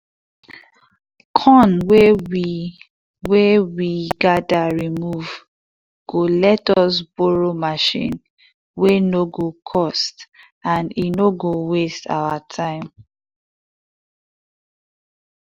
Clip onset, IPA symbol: kʰ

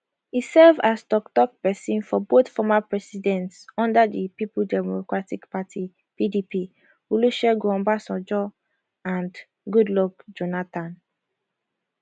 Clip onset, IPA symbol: i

